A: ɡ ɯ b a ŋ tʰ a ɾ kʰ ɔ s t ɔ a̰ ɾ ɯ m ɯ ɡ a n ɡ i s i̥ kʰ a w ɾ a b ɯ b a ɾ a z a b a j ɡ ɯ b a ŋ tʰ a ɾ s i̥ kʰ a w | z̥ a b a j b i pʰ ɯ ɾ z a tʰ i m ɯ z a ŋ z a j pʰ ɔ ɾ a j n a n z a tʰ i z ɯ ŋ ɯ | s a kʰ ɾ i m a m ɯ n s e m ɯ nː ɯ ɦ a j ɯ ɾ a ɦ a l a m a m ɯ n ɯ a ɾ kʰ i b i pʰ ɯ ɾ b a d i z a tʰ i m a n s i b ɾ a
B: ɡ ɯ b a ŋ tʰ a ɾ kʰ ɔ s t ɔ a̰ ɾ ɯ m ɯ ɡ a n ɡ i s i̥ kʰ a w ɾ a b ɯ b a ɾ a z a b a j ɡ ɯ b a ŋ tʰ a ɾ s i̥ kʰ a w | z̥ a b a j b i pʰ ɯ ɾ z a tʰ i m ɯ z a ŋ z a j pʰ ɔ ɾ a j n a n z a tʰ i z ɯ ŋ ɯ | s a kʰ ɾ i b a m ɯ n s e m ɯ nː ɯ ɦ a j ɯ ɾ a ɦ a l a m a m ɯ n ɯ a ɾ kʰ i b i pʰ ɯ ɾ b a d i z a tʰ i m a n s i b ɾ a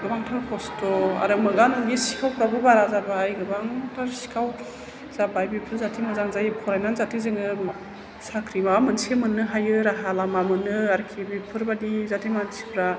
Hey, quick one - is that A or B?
A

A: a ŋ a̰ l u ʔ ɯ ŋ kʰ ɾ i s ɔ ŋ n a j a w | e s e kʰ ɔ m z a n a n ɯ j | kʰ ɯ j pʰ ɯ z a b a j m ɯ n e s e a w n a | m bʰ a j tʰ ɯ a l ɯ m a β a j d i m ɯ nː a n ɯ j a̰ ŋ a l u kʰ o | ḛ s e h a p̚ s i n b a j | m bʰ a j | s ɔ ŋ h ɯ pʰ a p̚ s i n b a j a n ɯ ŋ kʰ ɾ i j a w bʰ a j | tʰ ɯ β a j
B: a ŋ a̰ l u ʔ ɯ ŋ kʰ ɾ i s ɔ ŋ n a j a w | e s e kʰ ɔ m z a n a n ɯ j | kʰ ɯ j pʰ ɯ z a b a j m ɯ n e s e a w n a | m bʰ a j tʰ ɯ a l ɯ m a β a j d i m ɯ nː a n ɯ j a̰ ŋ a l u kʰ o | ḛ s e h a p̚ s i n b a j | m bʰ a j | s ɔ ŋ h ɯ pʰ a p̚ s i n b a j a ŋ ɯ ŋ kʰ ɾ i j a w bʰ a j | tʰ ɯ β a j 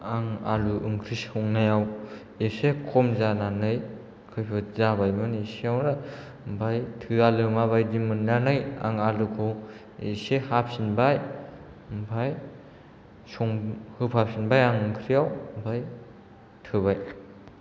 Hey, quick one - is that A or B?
B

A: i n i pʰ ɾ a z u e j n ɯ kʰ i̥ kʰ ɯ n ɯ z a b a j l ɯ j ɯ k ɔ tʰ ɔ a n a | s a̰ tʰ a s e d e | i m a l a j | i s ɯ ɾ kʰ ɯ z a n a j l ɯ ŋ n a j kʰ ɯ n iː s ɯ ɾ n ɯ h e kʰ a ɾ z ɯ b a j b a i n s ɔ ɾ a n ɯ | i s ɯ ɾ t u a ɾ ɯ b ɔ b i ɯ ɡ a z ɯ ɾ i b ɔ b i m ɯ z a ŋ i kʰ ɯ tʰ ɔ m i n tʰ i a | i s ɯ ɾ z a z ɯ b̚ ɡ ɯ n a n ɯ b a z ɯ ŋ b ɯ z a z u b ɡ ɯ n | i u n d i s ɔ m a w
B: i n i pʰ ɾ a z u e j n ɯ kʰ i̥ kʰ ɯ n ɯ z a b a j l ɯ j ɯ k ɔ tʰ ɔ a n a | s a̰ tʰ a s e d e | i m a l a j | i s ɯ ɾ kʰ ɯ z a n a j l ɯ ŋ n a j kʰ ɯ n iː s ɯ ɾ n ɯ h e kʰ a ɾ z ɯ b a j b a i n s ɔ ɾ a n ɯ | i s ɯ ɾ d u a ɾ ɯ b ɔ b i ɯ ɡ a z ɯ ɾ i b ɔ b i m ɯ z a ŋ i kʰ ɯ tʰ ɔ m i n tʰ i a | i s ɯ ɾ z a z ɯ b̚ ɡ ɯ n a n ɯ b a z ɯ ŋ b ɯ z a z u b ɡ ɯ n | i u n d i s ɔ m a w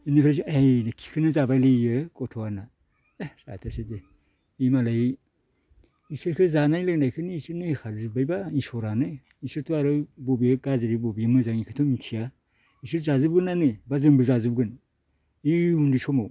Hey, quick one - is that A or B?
A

